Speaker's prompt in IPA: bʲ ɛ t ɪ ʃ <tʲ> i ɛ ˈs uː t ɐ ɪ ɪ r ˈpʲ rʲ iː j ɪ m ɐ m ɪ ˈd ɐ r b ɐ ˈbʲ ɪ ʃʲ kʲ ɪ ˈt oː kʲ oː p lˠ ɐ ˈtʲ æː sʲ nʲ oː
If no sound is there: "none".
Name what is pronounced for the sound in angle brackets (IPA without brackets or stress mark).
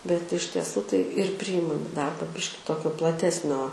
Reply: tʲ